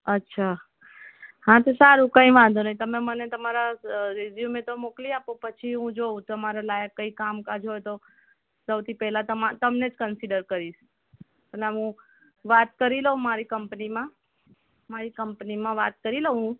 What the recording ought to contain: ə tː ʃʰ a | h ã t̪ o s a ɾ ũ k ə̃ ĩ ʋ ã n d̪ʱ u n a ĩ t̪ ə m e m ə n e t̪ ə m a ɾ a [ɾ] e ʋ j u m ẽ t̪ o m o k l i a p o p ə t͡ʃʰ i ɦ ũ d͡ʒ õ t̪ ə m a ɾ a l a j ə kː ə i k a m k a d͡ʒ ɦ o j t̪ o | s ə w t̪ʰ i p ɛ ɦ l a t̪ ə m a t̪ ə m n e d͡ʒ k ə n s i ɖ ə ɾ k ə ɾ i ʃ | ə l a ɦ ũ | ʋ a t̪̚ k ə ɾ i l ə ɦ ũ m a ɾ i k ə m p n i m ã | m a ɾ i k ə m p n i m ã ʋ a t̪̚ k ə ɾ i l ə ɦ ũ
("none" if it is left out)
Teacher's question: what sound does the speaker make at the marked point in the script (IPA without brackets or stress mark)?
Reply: ɾ